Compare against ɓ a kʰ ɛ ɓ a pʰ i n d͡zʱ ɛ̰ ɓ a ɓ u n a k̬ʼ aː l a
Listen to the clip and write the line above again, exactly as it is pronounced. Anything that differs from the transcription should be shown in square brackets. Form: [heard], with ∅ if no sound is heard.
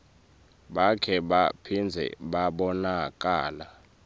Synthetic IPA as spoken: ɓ a kʰ ɛ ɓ a pʰ i n d͡zʱ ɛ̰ ɓ a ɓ [ɔ] n a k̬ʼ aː l a